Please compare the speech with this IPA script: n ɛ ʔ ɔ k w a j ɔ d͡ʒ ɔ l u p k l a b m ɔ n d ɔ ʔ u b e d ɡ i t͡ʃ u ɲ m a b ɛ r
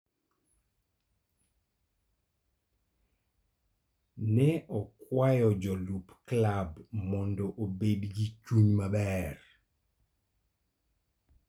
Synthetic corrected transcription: n ɛ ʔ ɔ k w a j ɔ d͡ʒ ɔ l u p k l a b m ɔ n d ɔ ʔ o b e d ɡ i t͡ʃ u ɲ m a b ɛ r